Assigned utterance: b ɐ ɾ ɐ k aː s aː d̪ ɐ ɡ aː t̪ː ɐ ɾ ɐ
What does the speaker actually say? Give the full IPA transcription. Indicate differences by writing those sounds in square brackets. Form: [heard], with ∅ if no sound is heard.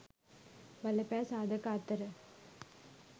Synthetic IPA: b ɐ [l] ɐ [p] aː s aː d̪ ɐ [k] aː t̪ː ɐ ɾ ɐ